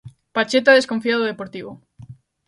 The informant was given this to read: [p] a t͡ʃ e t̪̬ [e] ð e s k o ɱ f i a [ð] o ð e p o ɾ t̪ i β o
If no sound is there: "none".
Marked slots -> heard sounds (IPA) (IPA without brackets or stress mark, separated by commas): p, a, ð